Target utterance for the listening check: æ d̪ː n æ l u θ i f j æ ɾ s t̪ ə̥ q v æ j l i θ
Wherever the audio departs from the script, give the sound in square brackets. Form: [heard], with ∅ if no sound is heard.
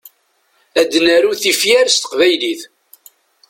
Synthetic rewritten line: æ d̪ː n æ [ɾ] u θ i f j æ ɾ s t̪ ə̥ q v æ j l i θ